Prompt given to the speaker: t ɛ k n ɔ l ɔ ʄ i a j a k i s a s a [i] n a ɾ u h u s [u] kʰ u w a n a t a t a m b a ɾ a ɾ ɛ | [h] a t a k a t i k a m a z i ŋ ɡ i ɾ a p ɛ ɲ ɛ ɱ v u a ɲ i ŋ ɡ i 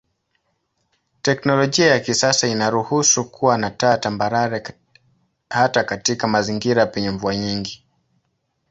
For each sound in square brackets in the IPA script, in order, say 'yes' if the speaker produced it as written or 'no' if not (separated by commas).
yes, yes, yes